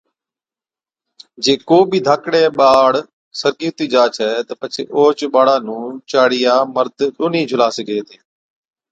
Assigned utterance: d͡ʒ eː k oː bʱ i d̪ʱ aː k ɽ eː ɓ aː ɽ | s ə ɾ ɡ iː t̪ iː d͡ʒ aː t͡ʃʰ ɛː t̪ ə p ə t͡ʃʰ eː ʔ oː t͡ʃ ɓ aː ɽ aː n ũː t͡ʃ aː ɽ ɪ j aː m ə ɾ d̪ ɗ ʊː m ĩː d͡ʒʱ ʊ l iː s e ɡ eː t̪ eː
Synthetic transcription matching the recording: d͡ʒ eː k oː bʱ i d̪ʱ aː k ɽ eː ɓ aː ɽ | s ə ɾ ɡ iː t̪ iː d͡ʒ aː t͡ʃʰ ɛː t̪ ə p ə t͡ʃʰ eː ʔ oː t͡ʃ ɓ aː ɽ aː n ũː t͡ʃ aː ɽ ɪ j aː m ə ɾ d̪ ɗ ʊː n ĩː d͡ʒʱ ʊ l aː s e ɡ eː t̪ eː